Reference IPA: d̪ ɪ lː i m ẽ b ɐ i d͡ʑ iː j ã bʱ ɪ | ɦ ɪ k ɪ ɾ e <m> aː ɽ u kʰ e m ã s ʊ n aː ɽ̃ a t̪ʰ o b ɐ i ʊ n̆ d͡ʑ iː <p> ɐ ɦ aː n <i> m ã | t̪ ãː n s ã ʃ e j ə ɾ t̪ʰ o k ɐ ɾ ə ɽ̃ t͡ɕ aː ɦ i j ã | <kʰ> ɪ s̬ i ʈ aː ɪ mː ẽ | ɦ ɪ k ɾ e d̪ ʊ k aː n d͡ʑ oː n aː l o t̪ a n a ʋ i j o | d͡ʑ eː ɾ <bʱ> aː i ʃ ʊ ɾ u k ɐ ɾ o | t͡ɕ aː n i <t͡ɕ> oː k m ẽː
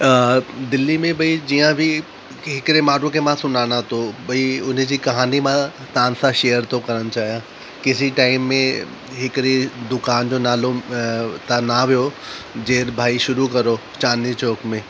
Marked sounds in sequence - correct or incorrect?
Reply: correct, incorrect: k, correct, incorrect: k, correct, correct

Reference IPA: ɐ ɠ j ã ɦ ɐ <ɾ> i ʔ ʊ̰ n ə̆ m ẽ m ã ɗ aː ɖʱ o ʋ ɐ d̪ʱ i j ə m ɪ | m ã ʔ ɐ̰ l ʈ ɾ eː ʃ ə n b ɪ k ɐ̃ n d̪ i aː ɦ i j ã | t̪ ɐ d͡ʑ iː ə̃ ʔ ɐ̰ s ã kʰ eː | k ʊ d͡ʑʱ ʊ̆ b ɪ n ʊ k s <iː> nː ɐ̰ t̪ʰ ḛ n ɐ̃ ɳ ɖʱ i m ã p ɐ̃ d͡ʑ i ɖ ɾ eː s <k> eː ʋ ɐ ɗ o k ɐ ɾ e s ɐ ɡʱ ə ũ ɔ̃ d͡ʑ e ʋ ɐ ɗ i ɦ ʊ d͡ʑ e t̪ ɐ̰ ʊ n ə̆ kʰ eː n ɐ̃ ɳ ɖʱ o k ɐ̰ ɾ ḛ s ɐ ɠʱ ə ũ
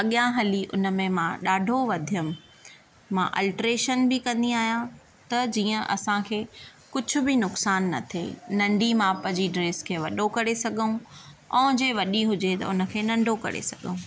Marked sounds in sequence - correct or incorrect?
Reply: incorrect: l, incorrect: aː, incorrect: kʰ

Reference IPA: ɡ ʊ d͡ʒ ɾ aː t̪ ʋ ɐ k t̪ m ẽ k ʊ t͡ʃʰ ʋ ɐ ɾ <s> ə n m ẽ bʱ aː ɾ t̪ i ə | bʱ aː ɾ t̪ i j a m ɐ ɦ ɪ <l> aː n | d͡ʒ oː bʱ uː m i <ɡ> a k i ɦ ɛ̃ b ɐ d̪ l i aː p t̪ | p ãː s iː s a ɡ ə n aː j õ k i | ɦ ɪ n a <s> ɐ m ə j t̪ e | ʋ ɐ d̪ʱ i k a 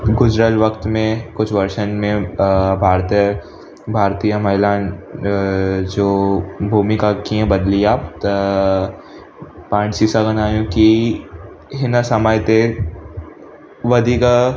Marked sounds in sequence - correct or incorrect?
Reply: incorrect: ʃ, correct, incorrect: k, correct

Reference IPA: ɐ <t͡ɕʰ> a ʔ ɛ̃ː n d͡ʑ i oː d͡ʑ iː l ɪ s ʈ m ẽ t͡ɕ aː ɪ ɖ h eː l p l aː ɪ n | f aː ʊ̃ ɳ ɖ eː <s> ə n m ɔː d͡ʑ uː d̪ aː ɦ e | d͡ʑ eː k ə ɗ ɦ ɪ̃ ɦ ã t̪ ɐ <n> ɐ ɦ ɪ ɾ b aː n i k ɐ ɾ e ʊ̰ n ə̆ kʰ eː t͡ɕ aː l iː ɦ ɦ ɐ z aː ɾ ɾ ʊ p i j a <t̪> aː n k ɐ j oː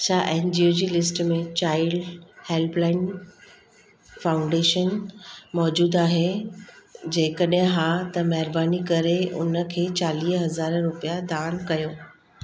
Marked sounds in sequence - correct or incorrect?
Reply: correct, incorrect: ʃ, incorrect: m, incorrect: d̪

